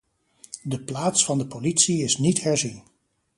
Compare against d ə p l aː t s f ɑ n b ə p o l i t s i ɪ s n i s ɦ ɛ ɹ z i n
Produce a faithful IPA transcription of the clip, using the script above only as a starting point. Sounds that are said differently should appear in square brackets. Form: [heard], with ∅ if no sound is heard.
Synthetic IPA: d ə p l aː t s f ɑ n [d] ə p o l i t s i ɪ s n i [t] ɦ ɛ ɹ z i n